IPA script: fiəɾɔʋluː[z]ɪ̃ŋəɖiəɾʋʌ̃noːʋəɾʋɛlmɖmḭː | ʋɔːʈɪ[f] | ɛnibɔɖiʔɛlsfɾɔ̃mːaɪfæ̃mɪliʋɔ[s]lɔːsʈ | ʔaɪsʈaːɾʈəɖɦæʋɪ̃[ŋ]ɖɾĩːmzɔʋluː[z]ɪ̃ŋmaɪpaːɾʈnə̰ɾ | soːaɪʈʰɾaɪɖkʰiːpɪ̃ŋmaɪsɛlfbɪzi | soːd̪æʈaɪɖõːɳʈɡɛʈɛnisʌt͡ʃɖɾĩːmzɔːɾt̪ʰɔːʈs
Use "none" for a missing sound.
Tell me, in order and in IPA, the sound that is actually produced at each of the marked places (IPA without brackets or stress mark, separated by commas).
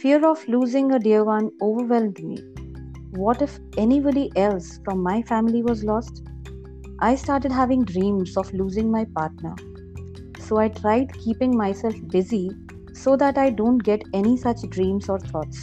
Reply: z, f, z, ŋ, z